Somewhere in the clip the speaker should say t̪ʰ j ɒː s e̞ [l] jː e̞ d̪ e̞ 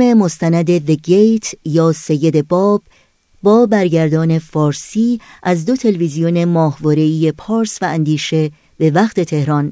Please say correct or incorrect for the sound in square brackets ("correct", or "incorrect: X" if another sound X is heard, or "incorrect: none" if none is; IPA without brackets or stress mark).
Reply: incorrect: none